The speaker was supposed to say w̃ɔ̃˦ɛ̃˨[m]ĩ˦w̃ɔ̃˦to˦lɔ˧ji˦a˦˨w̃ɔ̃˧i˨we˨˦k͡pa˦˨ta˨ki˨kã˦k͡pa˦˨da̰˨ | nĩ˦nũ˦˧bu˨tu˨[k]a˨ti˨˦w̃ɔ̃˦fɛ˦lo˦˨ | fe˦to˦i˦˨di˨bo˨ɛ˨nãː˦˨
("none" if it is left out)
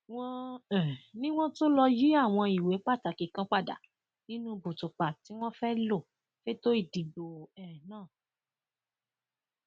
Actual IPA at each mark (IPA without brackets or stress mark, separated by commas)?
n, k͡p